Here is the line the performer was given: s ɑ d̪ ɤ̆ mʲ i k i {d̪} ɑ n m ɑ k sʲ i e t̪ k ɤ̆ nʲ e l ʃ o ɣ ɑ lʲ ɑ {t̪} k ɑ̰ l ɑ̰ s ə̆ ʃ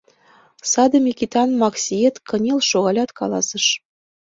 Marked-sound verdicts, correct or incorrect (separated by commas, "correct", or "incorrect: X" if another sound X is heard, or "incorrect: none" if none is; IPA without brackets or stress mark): incorrect: t̪, correct